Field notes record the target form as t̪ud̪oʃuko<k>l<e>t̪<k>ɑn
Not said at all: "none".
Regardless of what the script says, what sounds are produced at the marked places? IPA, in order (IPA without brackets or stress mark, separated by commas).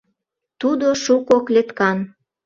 k, e, k